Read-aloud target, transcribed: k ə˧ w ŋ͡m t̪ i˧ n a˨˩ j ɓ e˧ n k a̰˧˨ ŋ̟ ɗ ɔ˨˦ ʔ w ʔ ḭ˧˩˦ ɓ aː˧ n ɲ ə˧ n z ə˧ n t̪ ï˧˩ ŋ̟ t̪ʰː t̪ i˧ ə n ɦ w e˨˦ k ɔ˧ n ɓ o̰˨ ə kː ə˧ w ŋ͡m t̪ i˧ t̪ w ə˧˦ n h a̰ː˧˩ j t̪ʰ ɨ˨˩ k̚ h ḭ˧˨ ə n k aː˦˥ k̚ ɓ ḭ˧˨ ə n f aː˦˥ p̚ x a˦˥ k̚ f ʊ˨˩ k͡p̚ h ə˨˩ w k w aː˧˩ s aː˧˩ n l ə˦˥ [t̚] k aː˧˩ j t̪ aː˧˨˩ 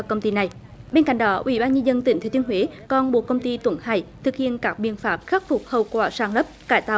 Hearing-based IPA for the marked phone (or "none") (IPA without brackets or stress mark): p̚